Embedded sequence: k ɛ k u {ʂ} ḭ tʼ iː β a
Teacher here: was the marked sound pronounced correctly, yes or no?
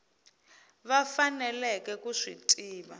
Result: yes